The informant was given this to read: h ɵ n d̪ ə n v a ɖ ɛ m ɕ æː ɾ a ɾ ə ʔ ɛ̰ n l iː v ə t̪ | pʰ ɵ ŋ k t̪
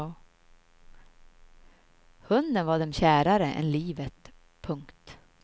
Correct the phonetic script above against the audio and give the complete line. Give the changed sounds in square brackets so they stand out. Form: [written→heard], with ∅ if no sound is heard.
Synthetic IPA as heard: h ɵ n d̪ ə n v a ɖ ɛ m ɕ æː ɾ a ɾ ə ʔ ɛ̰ n l iː v ə t̪ | pʰ ɵ ŋ k t̪